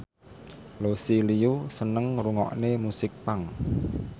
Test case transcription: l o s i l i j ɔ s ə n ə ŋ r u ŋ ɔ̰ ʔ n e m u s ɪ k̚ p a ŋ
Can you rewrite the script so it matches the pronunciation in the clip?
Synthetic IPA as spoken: l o s i l i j u s ə n ə ŋ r u ŋ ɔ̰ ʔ n e m u s ɪ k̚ p a ŋ